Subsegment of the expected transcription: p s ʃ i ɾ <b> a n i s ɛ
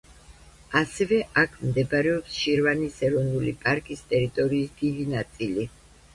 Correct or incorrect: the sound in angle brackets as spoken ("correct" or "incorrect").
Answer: incorrect